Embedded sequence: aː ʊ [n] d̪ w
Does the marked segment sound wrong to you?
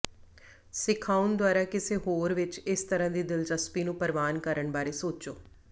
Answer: no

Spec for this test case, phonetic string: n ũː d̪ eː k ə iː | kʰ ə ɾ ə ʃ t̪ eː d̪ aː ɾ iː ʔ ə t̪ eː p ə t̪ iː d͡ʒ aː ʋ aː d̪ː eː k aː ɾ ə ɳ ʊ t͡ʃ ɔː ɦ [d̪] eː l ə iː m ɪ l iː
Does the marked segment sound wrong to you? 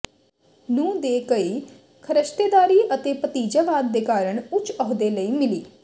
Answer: no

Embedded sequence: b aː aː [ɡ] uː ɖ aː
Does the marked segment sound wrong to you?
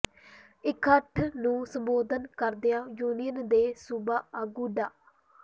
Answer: no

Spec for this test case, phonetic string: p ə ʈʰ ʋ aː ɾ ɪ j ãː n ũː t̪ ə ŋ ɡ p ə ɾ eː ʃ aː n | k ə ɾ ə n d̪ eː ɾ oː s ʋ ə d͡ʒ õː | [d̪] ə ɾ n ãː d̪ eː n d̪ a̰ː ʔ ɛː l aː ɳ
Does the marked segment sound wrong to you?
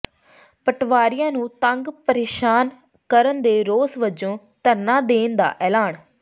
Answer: yes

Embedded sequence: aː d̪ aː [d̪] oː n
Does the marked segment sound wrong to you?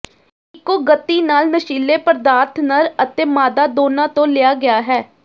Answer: no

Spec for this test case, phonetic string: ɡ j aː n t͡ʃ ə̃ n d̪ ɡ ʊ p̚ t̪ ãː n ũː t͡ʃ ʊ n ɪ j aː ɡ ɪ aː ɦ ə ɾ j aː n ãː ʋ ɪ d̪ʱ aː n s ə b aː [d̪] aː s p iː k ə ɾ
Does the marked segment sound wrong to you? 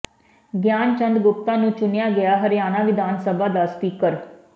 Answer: no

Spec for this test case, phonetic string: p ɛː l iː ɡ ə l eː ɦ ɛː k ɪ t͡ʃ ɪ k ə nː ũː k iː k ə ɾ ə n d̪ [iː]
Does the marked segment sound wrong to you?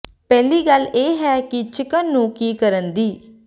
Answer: no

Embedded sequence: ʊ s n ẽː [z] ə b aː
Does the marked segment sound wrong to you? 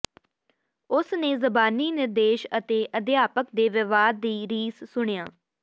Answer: no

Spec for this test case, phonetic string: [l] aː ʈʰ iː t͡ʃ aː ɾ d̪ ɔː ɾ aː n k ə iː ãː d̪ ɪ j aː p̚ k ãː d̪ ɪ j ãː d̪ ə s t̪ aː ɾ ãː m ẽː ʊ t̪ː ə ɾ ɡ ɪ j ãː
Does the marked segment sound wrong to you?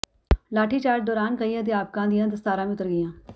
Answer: no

